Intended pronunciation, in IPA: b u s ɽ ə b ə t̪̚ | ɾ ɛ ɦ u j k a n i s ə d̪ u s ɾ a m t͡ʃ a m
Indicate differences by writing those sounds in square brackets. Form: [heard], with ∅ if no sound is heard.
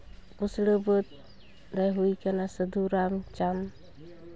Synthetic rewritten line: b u s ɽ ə b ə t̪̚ | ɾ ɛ ɦ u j k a n [a] s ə d̪ u [∅] ɾ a m t͡ʃ a m